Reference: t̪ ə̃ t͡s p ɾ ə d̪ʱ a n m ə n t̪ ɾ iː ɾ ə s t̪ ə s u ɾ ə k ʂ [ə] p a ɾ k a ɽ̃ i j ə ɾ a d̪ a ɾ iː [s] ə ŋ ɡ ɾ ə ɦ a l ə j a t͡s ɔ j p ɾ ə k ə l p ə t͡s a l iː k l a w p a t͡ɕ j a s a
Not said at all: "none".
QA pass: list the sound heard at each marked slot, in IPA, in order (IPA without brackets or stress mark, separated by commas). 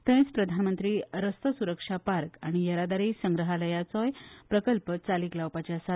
a, s